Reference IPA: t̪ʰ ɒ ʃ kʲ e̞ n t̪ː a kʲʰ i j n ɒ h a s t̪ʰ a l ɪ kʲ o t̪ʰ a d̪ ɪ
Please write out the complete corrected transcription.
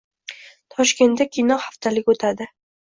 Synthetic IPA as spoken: t̪ʰ ɒ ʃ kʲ e̞ n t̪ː a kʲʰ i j n ɒ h a f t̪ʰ a l ɪ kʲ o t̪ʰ a d̪ ɪ